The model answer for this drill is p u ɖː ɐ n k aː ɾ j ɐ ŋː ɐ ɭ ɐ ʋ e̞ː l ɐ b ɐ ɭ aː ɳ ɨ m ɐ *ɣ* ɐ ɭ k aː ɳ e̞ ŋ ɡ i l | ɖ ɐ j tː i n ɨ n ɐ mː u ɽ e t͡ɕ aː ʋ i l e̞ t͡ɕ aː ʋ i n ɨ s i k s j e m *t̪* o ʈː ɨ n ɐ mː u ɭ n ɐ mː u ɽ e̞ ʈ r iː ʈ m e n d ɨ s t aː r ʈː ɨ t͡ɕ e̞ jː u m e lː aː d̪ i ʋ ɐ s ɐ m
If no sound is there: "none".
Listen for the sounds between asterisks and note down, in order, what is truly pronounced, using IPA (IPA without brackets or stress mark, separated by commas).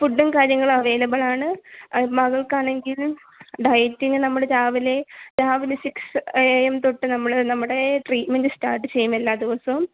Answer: ɣ, t̪